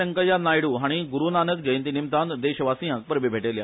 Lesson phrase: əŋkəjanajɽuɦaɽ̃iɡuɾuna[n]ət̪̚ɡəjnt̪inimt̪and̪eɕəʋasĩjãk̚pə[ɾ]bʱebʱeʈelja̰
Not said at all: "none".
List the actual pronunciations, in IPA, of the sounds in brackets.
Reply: n, ɾ

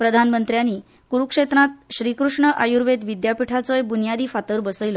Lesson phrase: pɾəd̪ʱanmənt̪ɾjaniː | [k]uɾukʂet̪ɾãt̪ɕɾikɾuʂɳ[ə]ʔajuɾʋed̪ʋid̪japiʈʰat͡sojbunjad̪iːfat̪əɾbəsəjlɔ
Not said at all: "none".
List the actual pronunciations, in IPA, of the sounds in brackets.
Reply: k, ə

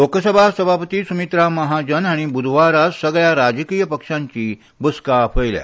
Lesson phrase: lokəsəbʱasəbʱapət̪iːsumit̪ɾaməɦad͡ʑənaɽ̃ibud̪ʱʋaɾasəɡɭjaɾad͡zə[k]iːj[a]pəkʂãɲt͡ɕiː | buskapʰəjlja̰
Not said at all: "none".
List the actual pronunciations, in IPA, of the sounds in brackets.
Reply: k, ə

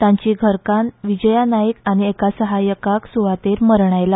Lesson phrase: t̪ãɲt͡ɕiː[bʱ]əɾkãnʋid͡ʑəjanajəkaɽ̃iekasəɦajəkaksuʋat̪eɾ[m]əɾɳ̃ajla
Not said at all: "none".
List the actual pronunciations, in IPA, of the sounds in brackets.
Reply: ɡʱ, m

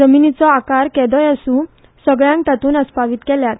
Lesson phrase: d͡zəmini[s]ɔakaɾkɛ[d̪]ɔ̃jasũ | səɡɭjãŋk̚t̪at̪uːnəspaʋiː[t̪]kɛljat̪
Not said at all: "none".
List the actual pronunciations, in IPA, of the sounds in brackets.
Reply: t͡s, d̪, t̪

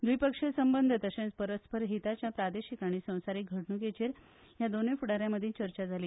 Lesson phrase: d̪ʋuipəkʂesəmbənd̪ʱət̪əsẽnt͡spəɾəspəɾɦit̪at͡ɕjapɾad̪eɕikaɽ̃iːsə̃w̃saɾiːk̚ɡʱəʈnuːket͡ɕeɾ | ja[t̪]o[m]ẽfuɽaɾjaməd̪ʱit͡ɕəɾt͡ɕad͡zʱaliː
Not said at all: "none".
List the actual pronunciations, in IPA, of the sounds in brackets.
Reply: d̪, n

